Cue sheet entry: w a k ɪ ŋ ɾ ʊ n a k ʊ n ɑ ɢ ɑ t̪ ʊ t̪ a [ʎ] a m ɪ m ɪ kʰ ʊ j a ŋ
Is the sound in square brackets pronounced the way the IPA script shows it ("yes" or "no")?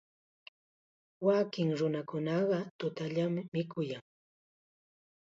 yes